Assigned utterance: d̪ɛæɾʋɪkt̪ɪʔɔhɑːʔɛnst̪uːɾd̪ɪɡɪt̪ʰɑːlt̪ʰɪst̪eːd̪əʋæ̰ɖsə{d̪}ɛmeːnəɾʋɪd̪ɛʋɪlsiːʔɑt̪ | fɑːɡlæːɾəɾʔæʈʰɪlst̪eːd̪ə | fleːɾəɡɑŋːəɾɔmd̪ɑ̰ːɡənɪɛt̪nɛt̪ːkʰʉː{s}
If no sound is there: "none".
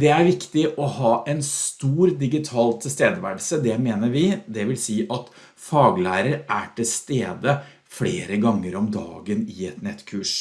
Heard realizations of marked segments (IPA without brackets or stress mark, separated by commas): d̪, ʂ